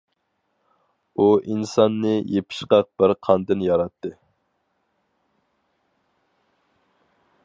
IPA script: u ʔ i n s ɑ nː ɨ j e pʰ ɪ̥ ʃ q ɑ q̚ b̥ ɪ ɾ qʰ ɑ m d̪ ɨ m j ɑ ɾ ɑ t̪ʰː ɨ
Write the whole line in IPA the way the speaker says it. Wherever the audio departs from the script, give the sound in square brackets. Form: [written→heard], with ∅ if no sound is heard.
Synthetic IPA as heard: u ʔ i n s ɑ nː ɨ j e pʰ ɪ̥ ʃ q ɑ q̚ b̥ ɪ ɾ qʰ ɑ [m→n] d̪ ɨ [m→n] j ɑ ɾ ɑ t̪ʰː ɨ